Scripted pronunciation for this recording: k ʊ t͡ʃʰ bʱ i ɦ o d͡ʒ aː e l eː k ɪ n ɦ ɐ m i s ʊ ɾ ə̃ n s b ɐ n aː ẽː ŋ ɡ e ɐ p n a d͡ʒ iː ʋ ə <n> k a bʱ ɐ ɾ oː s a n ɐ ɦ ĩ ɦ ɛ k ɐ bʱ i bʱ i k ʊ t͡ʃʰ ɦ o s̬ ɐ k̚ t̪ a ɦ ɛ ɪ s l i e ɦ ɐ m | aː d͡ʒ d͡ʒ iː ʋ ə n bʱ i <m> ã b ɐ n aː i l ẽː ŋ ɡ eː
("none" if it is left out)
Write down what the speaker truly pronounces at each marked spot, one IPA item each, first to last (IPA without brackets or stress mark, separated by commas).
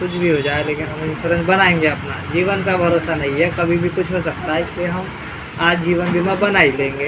n, m